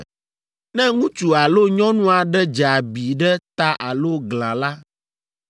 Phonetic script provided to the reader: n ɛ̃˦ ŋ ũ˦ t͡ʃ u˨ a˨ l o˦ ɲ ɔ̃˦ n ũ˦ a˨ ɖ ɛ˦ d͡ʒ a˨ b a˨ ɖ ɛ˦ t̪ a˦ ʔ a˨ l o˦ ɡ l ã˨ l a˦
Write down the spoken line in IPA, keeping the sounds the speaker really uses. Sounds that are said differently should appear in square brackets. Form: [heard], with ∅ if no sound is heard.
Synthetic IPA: n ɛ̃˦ ŋ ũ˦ t͡ʃ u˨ a˨ l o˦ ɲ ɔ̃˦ n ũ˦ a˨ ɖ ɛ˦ d͡ʒ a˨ b [i˨] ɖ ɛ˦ t̪ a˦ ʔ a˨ l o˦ ɡ l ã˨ l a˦